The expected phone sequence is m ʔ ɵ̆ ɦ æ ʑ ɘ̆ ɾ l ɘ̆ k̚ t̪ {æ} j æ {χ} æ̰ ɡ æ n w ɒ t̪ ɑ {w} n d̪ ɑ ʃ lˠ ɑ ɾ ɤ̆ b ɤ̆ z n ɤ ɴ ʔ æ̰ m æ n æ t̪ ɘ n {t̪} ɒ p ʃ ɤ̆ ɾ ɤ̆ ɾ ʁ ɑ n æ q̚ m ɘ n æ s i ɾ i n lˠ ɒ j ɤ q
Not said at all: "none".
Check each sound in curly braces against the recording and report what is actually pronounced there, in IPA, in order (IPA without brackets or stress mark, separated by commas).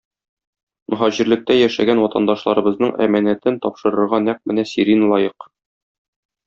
æ, ʃ, none, t̪